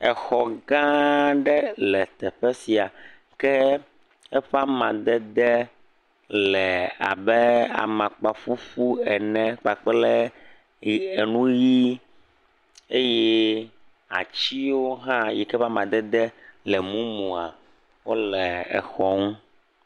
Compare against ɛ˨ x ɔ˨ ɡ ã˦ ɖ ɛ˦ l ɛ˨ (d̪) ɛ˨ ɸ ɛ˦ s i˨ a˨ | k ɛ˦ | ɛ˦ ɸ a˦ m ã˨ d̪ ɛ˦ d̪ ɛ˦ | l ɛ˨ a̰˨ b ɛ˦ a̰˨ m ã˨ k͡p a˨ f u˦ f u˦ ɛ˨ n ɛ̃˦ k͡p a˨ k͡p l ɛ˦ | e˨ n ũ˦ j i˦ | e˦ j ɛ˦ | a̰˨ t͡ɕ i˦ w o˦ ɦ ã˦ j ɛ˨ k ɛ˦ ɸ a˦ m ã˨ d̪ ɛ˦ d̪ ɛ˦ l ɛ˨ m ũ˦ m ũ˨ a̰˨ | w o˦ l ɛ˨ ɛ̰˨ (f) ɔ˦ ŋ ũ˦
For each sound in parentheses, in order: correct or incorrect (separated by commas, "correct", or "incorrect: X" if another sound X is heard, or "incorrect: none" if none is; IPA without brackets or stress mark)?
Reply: incorrect: t̪, incorrect: x